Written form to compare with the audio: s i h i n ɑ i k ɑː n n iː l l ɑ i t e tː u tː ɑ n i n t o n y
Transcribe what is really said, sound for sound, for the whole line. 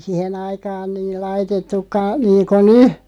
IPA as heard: s i h e n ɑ i k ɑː n n iː l l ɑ i t e tː u kː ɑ n iː n k o n y